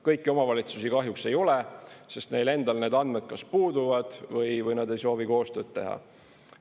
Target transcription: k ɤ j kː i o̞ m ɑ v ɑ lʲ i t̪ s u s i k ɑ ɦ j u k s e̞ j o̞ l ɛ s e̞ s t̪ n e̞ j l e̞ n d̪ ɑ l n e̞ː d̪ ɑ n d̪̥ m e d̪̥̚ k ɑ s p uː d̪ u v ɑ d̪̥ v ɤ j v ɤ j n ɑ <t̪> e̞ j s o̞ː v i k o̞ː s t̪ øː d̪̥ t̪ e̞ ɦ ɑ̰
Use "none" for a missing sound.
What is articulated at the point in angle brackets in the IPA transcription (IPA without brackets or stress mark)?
d̪